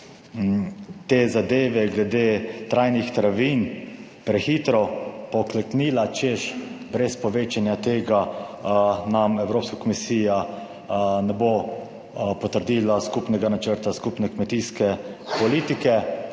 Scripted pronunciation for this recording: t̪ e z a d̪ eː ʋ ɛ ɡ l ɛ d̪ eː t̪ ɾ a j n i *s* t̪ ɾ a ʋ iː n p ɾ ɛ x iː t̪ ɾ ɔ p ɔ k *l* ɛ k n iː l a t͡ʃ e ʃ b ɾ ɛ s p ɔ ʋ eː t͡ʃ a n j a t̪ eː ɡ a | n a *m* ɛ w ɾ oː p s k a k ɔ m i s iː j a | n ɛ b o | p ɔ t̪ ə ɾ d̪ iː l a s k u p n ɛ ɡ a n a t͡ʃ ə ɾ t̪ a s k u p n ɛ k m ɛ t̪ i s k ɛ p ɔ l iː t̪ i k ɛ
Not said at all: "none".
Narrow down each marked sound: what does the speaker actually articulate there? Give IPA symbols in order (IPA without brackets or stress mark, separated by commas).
x, l, m